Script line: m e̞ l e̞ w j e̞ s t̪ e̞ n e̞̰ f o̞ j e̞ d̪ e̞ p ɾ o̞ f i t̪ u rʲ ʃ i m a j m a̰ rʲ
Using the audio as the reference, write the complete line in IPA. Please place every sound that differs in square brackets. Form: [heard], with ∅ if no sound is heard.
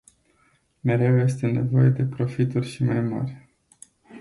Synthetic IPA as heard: m e̞ [ɾ] e̞ w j e̞ s t̪ e̞ n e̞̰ [v] o̞ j e̞ d̪ e̞ p ɾ o̞ f i t̪ u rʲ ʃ i m a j m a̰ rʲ